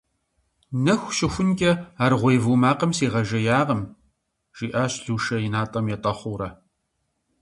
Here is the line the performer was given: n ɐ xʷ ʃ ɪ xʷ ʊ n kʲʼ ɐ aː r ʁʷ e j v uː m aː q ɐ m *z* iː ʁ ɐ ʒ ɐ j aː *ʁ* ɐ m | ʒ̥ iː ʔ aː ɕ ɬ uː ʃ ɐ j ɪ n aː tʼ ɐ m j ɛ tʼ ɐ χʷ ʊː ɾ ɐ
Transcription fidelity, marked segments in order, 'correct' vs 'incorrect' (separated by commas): incorrect, correct